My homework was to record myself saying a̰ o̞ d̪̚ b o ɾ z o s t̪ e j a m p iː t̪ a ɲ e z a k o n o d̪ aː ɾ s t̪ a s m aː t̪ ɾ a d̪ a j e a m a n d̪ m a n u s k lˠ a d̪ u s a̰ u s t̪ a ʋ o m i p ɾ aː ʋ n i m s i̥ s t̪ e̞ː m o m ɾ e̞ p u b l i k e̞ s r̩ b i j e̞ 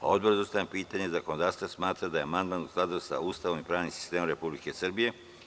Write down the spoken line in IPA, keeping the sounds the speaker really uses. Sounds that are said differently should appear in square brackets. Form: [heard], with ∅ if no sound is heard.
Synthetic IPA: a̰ o̞ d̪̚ b o ɾ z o s t̪ [a] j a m p iː t̪ a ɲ e z a k o n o d̪ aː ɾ s t̪ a s m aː t̪ ɾ a d̪ a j e a m a n d̪ m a n u s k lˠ a d̪ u s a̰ u s t̪ a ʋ o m i p ɾ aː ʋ n i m s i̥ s t̪ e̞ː m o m ɾ e̞ p u b l i k e̞ s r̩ b i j e̞